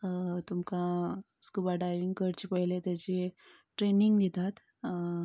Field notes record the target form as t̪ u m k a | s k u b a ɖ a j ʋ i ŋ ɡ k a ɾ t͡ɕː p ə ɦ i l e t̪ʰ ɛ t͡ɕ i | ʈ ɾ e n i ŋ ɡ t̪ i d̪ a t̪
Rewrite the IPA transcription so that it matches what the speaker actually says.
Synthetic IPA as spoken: t̪ u m k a | s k u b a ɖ a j ʋ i ŋ ɡ k ə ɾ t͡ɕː p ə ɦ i l e t̪ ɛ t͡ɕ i | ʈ ɾ e n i ŋ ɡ d̪ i t̪ a t̪